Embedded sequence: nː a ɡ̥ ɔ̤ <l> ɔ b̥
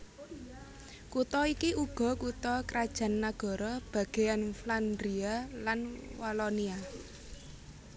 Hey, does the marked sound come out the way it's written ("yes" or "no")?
no